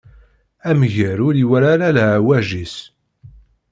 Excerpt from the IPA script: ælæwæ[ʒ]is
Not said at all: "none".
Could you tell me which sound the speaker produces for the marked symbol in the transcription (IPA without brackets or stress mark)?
ʒ